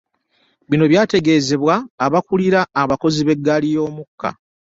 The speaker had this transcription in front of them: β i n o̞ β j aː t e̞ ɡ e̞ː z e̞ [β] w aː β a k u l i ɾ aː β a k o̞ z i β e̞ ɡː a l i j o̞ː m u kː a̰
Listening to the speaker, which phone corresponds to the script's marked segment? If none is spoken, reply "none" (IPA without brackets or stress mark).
β